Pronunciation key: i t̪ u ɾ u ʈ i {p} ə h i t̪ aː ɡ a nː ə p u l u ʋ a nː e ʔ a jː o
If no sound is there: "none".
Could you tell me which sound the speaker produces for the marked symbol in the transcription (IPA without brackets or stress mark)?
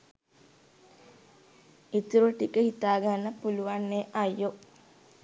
k